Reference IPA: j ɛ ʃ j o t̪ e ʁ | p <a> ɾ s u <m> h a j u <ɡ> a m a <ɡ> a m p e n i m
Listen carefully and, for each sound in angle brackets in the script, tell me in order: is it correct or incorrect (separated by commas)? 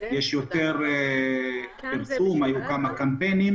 incorrect, correct, incorrect, incorrect